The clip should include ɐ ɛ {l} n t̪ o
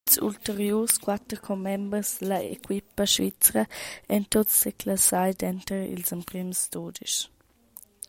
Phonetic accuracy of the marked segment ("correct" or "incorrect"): incorrect